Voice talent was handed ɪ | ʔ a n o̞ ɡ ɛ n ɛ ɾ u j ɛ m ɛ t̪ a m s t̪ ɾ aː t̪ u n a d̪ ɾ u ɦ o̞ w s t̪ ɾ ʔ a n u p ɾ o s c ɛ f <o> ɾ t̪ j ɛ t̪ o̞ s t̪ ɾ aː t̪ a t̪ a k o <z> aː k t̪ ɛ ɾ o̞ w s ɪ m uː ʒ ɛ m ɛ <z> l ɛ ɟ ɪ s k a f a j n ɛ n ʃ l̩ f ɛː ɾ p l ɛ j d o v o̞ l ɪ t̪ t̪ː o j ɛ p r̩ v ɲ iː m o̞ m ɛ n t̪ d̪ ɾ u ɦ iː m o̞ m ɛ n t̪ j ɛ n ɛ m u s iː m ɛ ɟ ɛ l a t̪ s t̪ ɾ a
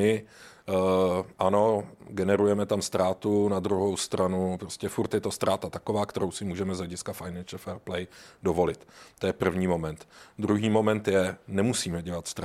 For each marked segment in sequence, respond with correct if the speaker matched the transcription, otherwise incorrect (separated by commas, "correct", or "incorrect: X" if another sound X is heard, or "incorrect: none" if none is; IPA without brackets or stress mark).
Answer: incorrect: u, incorrect: v, correct